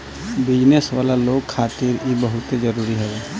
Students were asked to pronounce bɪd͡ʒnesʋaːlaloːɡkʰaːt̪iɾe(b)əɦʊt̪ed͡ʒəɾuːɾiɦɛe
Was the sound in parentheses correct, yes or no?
yes